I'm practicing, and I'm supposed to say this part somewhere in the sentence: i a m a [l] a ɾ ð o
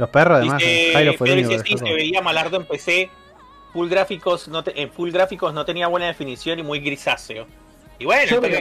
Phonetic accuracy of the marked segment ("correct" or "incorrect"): correct